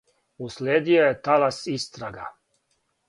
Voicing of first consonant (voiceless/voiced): voiceless